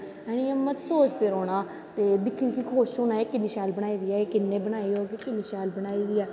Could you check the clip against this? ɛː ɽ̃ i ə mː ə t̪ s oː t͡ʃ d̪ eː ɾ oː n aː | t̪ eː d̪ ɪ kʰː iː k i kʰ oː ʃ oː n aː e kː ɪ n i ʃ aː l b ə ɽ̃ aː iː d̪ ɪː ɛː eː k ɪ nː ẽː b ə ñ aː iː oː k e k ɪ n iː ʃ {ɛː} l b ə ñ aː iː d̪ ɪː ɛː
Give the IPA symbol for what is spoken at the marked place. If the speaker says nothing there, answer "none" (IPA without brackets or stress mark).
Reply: aː